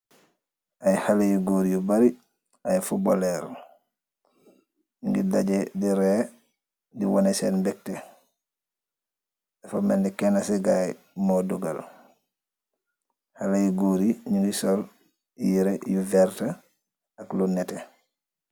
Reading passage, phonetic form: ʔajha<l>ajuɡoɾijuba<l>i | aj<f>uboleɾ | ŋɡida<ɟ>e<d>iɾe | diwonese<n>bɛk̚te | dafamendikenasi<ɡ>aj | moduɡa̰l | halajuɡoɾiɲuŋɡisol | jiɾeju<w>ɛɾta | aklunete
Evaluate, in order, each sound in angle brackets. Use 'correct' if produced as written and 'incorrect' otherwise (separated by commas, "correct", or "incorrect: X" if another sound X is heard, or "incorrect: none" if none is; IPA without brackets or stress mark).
correct, incorrect: ɾ, correct, correct, correct, correct, correct, incorrect: v